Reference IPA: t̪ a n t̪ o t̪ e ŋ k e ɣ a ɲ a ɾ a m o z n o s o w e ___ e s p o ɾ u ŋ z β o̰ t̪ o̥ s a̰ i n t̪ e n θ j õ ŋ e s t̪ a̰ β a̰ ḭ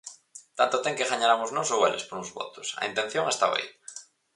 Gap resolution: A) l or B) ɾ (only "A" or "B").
A